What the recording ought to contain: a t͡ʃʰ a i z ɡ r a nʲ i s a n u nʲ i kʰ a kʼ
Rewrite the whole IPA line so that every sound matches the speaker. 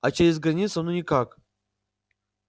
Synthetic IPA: a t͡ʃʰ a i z ɡ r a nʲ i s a n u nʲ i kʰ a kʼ